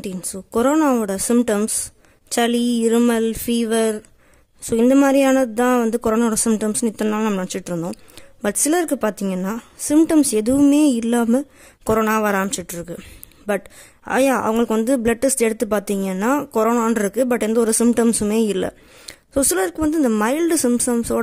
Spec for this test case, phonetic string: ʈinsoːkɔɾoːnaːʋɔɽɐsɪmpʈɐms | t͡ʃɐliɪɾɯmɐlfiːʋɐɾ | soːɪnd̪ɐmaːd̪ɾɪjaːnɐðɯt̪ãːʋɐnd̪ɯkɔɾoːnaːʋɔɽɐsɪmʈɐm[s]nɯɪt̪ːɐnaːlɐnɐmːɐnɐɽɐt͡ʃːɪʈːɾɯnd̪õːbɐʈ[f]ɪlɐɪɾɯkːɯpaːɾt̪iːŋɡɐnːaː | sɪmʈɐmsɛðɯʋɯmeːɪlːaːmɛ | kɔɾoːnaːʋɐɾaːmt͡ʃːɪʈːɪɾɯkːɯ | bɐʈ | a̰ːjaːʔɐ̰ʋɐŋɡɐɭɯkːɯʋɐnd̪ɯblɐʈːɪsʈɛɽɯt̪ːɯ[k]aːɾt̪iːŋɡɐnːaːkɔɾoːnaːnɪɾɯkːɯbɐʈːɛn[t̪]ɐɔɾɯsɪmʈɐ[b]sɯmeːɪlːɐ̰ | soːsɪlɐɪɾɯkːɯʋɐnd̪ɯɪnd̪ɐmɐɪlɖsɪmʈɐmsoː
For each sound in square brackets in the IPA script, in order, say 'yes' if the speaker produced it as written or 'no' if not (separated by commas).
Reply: yes, no, no, no, no